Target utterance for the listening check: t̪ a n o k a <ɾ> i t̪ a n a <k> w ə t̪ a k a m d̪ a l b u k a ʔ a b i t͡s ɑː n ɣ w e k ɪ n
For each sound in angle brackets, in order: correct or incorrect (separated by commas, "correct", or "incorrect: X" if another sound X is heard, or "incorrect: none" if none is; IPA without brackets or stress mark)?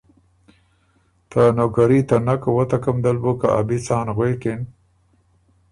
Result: correct, correct